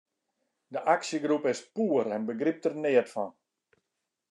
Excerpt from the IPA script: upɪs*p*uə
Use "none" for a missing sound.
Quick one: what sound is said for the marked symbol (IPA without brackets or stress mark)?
p